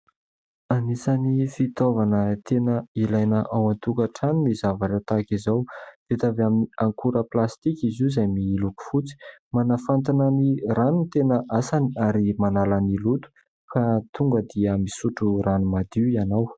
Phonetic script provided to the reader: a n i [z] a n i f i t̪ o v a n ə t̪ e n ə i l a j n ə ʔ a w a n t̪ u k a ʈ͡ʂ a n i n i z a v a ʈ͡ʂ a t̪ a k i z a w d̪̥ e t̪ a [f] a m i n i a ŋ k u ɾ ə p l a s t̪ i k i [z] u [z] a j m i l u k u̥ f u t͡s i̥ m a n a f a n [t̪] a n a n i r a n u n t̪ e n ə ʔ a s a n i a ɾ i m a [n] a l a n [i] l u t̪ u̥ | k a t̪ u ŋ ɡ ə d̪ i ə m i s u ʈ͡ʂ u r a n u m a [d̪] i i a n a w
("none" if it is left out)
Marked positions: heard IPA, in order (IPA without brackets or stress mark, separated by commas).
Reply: s, v, z, z, t̪, n, i, d̪